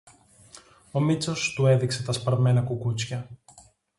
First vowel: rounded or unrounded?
rounded